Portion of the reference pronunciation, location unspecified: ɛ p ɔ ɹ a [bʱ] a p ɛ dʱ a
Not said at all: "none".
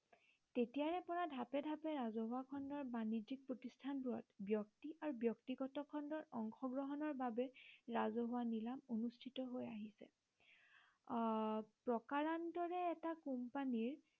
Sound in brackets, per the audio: dʱ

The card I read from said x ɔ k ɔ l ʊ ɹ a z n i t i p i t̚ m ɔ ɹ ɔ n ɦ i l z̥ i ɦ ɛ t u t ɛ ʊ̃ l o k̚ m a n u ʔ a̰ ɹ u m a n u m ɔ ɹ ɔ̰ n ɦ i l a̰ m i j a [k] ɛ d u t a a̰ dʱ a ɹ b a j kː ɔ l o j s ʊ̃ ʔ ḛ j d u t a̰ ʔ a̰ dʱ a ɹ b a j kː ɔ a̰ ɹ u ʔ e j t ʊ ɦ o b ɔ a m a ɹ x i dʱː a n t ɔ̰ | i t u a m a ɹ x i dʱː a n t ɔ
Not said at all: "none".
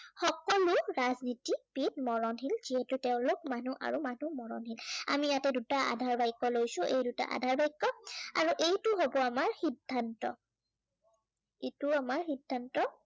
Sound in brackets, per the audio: t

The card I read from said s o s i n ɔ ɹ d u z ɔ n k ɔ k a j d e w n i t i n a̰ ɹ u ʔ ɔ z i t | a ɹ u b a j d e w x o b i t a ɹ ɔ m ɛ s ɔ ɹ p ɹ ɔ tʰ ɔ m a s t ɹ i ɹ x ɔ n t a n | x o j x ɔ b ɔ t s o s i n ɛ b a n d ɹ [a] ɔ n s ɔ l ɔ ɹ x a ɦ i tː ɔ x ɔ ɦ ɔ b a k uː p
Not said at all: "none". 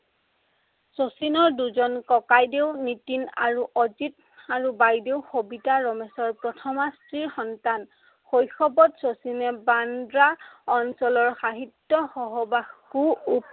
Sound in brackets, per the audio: a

